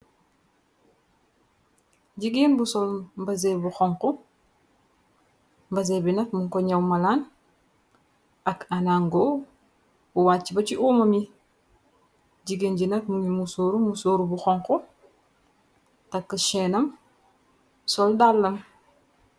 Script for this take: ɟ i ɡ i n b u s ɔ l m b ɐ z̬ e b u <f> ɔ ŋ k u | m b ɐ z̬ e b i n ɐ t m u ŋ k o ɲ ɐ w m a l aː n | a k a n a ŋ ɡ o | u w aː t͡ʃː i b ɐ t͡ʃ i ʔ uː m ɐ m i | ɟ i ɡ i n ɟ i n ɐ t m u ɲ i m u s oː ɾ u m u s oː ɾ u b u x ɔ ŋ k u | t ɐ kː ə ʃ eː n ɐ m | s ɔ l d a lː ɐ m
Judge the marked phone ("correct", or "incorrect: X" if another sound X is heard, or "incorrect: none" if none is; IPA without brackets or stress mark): incorrect: x